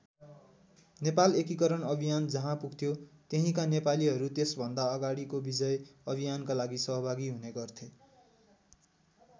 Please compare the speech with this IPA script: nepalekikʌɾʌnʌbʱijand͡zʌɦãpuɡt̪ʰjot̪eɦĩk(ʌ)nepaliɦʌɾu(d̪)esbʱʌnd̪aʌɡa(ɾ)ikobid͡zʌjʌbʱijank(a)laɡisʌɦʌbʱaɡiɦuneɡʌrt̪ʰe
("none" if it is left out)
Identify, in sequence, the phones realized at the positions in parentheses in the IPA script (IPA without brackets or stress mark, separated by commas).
a, t̪, ɽ, a